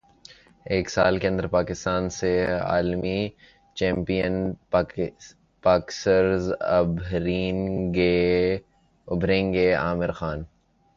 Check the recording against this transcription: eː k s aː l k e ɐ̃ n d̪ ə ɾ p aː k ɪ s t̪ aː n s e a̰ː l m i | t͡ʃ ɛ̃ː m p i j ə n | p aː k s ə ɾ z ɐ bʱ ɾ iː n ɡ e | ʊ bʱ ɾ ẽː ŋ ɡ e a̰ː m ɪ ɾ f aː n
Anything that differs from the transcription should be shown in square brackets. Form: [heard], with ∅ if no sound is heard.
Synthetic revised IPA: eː k s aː l k e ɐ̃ n d̪ ə ɾ p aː k ɪ s t̪ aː n s e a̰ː l m i | t͡ʃ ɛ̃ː m p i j ə n | p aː k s ə ɾ z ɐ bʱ ɾ iː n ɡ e | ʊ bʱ ɾ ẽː ŋ ɡ e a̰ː m ɪ ɾ [x] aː n